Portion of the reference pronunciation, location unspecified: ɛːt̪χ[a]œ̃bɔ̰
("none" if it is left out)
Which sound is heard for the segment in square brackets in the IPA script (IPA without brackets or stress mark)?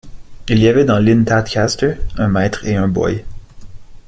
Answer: e